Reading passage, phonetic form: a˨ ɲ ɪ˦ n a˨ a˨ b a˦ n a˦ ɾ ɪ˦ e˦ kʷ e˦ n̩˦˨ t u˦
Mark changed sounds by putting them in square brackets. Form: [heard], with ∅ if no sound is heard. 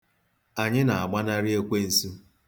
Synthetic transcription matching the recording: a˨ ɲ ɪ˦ n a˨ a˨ [ɡ͡b] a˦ n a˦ ɾ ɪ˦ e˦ kʷ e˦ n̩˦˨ [s] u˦

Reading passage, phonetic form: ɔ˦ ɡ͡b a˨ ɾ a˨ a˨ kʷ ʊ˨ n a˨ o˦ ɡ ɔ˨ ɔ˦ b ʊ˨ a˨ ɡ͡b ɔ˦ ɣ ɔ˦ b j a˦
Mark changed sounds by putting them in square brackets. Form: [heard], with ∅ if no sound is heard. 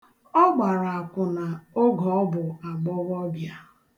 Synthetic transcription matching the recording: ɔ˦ ɡ͡b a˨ ɾ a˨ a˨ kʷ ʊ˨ n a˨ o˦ ɡ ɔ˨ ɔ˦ b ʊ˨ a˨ ɡ͡b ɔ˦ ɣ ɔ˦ b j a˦

